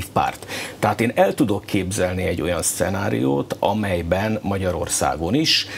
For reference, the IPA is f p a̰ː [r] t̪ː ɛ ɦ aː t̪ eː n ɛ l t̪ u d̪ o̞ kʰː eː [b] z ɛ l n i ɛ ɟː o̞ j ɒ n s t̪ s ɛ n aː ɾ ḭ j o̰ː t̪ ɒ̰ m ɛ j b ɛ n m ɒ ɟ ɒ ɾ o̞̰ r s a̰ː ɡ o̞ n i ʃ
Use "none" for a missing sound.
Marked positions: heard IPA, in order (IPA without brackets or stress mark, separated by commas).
r, b